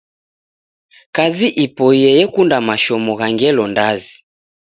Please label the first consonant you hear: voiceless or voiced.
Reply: voiceless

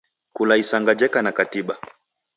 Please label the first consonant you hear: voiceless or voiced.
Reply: voiceless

